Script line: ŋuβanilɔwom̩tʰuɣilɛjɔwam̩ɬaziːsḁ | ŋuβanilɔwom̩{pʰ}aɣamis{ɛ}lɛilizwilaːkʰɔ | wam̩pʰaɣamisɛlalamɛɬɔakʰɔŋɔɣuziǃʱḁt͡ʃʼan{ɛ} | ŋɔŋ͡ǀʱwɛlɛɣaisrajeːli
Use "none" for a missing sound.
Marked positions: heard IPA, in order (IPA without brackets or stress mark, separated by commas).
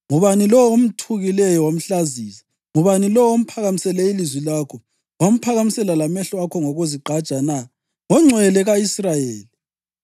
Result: pʰ, ɛ, a